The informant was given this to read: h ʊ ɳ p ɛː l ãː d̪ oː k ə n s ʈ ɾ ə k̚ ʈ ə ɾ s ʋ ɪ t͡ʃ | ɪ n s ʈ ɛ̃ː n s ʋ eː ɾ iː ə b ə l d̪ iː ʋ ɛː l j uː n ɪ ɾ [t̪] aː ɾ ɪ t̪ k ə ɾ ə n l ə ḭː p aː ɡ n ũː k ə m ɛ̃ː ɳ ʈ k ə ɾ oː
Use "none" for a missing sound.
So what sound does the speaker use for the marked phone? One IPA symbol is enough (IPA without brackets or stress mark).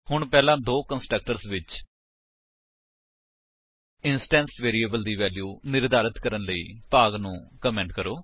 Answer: d̪